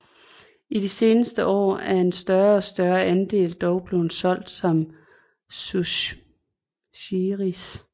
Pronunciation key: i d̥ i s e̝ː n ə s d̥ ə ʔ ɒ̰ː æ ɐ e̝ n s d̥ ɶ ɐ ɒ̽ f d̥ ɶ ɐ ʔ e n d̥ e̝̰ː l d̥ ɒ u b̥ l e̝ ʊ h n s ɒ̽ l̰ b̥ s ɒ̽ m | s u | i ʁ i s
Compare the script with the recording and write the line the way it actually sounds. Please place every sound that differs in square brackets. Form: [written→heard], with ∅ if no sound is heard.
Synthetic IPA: i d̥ i s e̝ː n ə s d̥ ə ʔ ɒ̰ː æ ɐ e̝ n s d̥ ɶ ɐ ɒ̽ [f→s] d̥ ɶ ɐ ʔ [e→æ] n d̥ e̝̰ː l d̥ ɒ [u→ʊ] b̥ l e̝ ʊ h n s ɒ̽ l̰ [b̥→d̥] s ɒ̽ m | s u | i ʁ i s

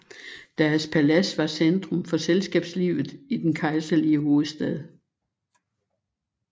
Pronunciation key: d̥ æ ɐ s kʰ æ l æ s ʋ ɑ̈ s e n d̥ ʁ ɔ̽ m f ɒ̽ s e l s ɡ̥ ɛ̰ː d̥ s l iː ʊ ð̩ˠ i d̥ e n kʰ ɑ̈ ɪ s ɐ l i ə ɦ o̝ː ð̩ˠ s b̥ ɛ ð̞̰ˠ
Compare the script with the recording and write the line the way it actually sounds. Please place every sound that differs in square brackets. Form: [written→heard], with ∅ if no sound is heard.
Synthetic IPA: d̥ æ ɐ s [kʰ→pʰ] æ l æ s ʋ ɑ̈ s e n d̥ ʁ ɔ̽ m f ɒ̽ s e l s ɡ̥ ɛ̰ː [d̥→b̥] s l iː ʊ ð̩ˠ i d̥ e n kʰ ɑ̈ ɪ s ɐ l i ə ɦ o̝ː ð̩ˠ s [b̥→d̥] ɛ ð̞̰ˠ

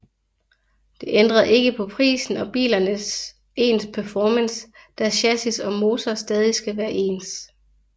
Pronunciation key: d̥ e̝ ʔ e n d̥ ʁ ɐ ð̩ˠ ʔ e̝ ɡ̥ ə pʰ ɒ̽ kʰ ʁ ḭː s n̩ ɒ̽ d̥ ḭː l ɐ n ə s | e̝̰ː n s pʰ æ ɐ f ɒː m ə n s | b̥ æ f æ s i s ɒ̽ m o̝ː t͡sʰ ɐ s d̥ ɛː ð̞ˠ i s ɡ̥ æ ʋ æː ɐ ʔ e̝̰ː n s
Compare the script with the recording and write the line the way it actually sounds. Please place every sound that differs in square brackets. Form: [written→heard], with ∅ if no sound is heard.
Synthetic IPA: d̥ e̝ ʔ e n d̥ ʁ ɐ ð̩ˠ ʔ e̝ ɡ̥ ə pʰ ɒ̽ [kʰ→pʰ] ʁ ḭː s n̩ ɒ̽ [d̥→b̥] ḭː l ɐ n ə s | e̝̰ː n s pʰ æ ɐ f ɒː m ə n s | [b̥→d̥] æ [f→ɕ] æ s i s ɒ̽ m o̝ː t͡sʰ ɐ s d̥ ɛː ð̞ˠ i s ɡ̥ æ ʋ æː ɐ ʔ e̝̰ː n s

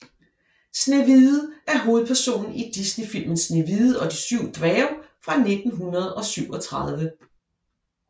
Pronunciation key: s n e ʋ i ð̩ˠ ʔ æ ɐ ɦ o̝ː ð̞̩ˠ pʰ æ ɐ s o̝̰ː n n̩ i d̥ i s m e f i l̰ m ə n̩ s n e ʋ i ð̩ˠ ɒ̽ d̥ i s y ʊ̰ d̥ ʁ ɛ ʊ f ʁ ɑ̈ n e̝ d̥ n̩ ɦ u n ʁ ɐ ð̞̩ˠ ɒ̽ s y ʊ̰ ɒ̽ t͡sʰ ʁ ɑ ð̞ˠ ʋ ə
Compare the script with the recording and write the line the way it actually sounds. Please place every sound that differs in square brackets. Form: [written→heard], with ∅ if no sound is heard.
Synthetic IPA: s n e ʋ i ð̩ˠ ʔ æ ɐ ɦ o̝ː ð̞̩ˠ pʰ æ ɐ s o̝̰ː n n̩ i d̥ i s [m→n] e f i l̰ m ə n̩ s n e ʋ i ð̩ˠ ɒ̽ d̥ i s y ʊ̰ d̥ ʁ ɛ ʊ f ʁ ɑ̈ n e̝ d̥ n̩ ɦ u n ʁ ɐ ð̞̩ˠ ɒ̽ s y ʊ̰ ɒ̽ t͡sʰ ʁ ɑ ð̞ˠ ʋ ə

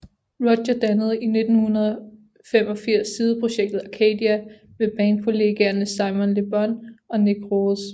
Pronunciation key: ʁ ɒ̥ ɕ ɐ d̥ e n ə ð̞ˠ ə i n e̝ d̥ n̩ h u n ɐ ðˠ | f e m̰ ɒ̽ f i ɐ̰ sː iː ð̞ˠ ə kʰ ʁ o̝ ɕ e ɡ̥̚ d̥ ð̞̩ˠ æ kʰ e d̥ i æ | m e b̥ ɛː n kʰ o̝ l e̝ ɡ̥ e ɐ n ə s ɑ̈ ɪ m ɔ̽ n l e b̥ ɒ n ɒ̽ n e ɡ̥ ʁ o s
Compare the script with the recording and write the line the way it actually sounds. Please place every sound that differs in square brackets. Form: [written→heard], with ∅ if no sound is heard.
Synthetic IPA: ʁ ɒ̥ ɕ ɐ d̥ [e→æ] n ə ð̞ˠ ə i n e̝ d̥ n̩ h u n ɐ ðˠ | f e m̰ ɒ̽ f i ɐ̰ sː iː ð̞ˠ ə [kʰ→pʰ] ʁ o̝ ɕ e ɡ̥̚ d̥ ð̞̩ˠ æ kʰ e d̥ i æ | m e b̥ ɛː n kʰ o̝ l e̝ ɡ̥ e ɐ n ə s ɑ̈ ɪ m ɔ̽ n l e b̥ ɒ n ɒ̽ n e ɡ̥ ʁ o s

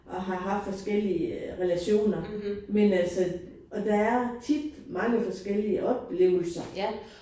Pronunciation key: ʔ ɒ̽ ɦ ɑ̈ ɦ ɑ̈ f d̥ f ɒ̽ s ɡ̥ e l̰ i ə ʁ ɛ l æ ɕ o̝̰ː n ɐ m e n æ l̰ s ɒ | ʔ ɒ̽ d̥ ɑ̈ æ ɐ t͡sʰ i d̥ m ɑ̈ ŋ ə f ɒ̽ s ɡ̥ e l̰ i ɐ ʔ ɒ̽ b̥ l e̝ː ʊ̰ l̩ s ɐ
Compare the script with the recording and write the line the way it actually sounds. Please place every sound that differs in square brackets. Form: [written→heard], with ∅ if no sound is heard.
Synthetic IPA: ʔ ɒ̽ ɦ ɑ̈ ɦ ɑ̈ f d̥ f ɒ̽ s ɡ̥ e l̰ i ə ʁ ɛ l æ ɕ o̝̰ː n ɐ m e n æ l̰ s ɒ | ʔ ɒ̽ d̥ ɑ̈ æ ɐ t͡sʰ i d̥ m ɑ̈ ŋ ə f ɒ̽ s ɡ̥ e l̰ i [ɐ→ə] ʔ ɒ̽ b̥ l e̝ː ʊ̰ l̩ s ɐ

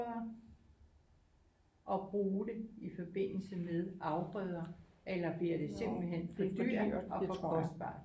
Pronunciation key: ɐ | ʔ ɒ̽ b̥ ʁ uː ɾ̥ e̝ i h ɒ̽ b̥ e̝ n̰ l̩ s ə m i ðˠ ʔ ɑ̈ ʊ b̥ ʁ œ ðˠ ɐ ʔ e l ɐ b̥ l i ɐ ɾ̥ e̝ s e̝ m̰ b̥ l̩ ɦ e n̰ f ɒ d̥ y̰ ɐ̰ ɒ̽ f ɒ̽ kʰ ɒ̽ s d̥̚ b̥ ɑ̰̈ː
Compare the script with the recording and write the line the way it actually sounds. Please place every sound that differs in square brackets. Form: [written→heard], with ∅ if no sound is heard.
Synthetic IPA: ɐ | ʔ ɒ̽ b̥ ʁ uː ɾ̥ e̝ i [h→f] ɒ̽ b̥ e̝ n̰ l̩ s ə m [i→e] ðˠ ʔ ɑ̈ ʊ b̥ ʁ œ ðˠ ɐ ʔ e l ɐ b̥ l i ɐ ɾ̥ e̝ s e̝ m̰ b̥ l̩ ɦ e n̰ f ɒ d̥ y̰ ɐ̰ ɒ̽ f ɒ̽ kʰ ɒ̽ s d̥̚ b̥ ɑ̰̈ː

